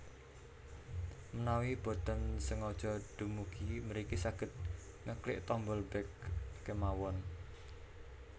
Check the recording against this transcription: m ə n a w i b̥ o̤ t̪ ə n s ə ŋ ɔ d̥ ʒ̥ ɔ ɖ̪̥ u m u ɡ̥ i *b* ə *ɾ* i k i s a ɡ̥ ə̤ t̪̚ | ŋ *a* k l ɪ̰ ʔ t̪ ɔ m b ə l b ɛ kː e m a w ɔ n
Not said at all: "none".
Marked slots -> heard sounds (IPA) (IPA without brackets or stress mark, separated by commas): m, ɾ, ə